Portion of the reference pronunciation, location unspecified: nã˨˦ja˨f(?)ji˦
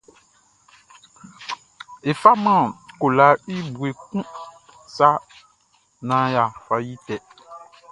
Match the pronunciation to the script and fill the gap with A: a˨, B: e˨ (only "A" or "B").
A